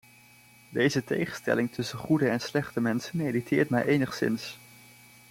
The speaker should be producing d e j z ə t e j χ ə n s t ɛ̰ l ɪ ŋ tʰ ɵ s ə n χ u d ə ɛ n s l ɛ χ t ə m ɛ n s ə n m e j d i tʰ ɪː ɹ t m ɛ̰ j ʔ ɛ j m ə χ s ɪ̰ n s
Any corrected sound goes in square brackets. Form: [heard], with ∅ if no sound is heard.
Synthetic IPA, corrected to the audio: d e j z ə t e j χ ə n s t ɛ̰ l ɪ ŋ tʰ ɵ s ə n χ u d ə ɛ n s l ɛ χ t ə m ɛ n s ə n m e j d i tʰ ɪː ɹ t m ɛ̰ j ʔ [e] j [n] ə χ s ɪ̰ n s